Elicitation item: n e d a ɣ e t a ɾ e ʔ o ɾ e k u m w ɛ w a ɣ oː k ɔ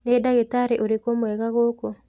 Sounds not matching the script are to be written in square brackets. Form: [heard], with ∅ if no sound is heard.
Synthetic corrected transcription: n e d a ɣ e t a ɾ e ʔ o ɾ e k [o] m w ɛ [ɣ] a ɣ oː k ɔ